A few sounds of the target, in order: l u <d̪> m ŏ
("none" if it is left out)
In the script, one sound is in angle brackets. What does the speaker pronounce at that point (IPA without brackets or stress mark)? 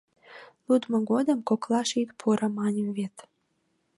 d̪